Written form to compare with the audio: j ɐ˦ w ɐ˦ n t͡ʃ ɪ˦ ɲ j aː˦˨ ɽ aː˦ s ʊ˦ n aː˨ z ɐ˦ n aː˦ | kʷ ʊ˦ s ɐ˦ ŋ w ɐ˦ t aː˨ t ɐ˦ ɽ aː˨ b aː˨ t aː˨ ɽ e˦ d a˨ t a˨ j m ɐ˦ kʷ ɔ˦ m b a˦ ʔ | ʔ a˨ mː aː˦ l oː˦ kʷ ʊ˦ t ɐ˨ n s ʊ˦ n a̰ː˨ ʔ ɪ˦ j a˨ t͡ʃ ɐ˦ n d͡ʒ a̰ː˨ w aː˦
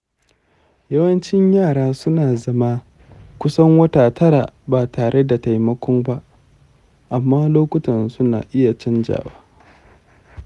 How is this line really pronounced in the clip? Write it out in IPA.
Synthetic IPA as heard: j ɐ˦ w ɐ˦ n t͡ʃ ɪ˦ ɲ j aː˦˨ ɽ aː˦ s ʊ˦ n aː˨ z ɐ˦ m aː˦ | kʷ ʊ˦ s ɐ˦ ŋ w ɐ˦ t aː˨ t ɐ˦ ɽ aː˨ b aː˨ t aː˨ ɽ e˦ d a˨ t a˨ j m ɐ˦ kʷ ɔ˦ m b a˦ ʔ | ʔ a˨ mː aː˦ l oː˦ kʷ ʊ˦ t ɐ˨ n s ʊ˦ n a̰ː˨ ʔ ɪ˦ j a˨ t͡ʃ ɐ˦ n d͡ʒ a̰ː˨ w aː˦